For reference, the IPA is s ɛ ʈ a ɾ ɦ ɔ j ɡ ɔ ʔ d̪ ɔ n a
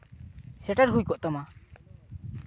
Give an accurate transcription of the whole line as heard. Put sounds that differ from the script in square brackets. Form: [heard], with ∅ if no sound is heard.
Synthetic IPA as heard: s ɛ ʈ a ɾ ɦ [u] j [k] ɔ ʔ [t̪] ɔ [m] a